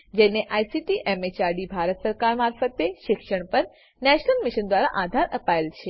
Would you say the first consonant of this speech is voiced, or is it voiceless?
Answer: voiced